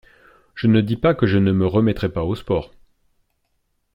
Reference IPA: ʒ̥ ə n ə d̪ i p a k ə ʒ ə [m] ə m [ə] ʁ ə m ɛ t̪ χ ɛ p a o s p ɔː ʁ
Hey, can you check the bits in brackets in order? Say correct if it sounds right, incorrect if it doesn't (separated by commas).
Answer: incorrect, correct